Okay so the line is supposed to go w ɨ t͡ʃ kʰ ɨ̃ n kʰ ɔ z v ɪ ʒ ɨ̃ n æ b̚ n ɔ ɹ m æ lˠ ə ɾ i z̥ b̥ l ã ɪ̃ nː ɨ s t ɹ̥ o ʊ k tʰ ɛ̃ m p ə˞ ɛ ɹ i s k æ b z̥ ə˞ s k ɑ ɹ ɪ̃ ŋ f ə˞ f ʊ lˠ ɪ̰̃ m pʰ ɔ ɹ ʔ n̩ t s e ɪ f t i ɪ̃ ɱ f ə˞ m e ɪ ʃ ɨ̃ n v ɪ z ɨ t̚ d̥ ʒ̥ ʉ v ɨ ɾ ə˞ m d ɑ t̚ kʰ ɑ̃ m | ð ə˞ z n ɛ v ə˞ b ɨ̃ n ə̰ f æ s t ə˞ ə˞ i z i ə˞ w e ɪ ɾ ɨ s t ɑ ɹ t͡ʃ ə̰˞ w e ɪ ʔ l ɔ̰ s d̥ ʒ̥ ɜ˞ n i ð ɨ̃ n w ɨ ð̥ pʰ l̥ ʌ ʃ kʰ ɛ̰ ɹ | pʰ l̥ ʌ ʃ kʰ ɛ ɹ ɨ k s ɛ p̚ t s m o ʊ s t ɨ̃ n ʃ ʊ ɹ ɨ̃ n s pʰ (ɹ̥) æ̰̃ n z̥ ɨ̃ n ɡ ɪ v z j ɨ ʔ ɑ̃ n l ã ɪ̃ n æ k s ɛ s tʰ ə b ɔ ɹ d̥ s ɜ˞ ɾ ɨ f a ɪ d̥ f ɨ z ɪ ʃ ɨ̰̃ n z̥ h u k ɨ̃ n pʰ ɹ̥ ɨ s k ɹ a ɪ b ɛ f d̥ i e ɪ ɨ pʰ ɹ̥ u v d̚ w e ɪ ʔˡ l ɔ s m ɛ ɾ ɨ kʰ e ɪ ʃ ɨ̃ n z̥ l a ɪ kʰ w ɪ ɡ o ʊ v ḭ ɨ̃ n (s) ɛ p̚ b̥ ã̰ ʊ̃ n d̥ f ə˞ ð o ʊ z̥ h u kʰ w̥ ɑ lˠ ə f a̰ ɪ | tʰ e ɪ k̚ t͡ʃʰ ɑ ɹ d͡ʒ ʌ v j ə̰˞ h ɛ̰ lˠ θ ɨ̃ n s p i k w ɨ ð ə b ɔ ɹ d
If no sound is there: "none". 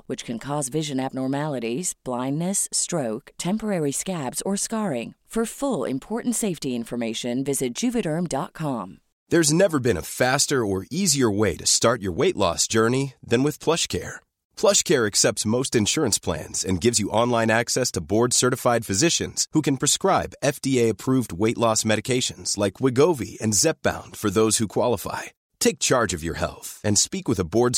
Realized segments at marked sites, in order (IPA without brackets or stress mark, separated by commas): l̥, z